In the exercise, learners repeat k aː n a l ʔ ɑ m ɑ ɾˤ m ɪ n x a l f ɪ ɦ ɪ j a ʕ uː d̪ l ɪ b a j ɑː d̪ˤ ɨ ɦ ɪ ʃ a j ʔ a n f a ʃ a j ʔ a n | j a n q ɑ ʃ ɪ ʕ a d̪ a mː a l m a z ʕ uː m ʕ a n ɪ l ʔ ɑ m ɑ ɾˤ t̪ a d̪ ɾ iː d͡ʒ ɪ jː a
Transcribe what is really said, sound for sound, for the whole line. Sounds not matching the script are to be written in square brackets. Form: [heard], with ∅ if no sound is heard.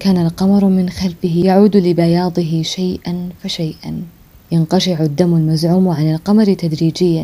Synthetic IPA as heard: k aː n a l [q] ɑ m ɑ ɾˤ m ɪ n x a l f ɪ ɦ ɪ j a ʕ uː d̪ l ɪ b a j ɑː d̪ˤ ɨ ɦ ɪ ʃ a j ʔ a n f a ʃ a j ʔ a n | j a n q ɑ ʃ ɪ ʕ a [d̪ː] a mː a l m a z ʕ uː m ʕ a n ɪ l [q] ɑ m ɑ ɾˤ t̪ a d̪ ɾ iː d͡ʒ ɪ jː a